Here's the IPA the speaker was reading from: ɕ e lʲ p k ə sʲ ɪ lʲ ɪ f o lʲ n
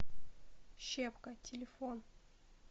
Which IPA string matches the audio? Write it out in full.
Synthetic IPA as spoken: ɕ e p k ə tʲ ɪ lʲ ɪ f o n

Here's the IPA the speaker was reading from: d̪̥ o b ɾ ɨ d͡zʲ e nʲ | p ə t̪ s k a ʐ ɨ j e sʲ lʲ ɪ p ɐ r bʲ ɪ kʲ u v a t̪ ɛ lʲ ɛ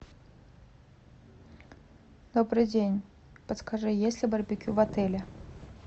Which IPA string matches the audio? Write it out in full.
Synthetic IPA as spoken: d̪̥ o b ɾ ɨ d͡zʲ e nʲ | p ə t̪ s k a ʐ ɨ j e sʲ lʲ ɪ b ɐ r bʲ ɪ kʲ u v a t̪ ɛ lʲ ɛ

